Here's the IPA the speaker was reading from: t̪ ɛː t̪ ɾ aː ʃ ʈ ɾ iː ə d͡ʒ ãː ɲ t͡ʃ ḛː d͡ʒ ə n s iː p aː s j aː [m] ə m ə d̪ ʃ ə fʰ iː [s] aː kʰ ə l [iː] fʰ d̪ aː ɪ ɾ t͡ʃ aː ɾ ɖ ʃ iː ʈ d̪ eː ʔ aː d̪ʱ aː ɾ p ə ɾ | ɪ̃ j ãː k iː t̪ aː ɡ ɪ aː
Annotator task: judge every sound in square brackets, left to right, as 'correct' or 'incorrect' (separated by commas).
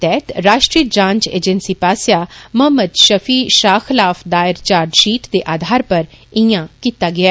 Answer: correct, incorrect, incorrect